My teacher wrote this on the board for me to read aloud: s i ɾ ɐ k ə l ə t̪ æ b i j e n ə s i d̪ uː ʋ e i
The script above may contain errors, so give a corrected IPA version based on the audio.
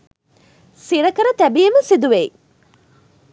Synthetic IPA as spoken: s i ɾ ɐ k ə ɾ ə t̪ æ b i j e m ə s i d̪ u ʋ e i